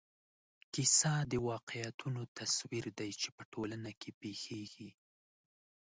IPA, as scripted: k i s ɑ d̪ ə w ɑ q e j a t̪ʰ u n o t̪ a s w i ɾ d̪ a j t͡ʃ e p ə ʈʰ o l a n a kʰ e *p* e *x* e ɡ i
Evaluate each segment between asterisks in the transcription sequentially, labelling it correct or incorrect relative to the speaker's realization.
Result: correct, correct

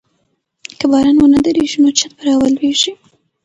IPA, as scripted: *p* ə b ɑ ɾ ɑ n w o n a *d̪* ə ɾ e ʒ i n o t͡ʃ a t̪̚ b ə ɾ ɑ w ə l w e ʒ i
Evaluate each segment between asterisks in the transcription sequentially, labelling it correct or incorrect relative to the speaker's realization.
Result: incorrect: k, correct

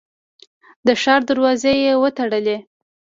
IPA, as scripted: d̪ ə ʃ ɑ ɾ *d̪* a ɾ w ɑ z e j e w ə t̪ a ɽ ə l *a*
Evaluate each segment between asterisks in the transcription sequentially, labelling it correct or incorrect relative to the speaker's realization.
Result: correct, incorrect: e

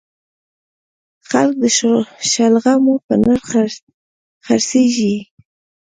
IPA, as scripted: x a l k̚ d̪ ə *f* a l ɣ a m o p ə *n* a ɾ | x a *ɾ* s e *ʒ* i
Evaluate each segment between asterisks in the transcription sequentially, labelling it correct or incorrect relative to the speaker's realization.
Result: incorrect: ʃ, correct, correct, correct

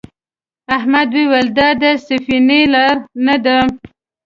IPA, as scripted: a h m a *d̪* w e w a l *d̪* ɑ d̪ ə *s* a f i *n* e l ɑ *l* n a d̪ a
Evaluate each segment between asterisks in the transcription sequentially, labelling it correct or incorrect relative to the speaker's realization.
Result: correct, correct, correct, correct, incorrect: ɾ

